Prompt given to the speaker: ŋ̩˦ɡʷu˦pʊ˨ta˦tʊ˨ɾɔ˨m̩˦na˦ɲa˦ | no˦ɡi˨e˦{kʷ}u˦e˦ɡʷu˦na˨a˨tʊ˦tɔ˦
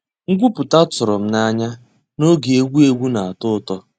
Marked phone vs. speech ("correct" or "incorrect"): incorrect